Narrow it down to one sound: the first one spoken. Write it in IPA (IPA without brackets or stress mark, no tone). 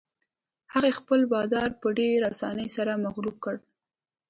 h